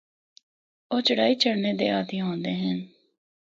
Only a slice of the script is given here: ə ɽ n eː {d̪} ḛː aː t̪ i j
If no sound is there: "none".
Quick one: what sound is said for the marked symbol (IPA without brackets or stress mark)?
d̪